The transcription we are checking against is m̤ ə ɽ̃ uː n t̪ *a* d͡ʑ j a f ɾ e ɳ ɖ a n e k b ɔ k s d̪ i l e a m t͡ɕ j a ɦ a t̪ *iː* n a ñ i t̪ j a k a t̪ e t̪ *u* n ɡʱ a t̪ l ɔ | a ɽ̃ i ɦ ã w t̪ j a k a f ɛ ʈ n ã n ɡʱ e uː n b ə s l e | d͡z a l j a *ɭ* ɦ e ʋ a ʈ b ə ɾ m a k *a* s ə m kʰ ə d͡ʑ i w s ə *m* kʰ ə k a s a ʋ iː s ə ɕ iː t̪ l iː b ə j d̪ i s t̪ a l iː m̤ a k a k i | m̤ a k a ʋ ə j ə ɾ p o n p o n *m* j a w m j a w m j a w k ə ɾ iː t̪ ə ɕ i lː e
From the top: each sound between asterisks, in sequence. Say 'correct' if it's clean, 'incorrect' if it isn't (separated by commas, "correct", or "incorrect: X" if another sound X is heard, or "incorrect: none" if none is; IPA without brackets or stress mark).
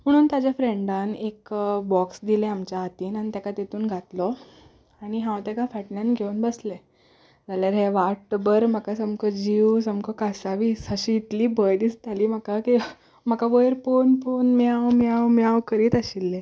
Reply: correct, correct, incorrect: uː, incorrect: ɾ, correct, correct, correct